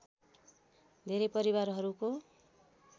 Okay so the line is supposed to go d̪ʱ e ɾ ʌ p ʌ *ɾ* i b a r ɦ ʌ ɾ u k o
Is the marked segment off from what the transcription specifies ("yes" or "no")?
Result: no